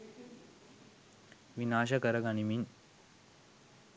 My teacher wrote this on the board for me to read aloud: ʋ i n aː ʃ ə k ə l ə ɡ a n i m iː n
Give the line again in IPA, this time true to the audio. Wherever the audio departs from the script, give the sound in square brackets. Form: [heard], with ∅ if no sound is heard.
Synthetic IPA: ʋ i n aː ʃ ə k ə [ɾ] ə ɡ a n i m [i] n